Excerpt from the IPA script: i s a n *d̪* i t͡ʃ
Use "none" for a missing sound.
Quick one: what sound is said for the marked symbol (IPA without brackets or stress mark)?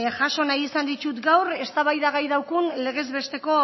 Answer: d̪